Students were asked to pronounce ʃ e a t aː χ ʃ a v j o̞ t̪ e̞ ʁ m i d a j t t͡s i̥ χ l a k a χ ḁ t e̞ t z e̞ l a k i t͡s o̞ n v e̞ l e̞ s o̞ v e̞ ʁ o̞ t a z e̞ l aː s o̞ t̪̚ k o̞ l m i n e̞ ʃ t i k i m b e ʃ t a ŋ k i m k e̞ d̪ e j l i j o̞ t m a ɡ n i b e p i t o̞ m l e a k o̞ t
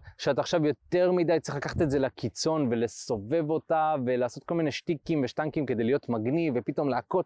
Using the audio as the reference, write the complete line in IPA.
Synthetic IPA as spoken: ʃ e a t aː χ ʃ a v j o̞ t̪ e̞ ʁ m i d a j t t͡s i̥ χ l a k a χ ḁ t e̞ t z e̞ l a k i t͡s o̞ n v e̞ l e̞ s o̞ v e̞ v o̞ t a v e̞ l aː s o̞ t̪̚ k o̞ l m i n e̞ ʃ t i k i m v e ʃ t a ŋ k i m k e̞ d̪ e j l i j o̞ t m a ɡ n i v e p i t o̞ m l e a k o̞ t